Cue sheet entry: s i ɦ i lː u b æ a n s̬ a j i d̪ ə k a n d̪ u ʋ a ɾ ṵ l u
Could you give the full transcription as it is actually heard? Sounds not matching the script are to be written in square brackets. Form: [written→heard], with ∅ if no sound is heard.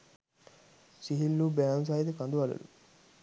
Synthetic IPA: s i ɦ i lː u b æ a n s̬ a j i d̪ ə k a n d̪ u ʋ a [ɾ→l] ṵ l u